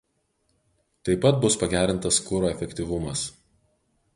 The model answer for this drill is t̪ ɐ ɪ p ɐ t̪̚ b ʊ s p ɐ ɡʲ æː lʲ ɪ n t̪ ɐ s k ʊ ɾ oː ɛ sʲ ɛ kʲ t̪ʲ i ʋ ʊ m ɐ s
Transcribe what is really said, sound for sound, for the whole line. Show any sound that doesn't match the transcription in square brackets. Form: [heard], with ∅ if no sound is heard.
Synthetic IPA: t̪ ɐ ɪ p ɐ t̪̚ b ʊ s p ɐ ɡʲ æː [ɾʲ] ɪ n t̪ ɐ s k ʊ ɾ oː ɛ [fʲ] ɛ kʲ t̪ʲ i ʋ ʊ m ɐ s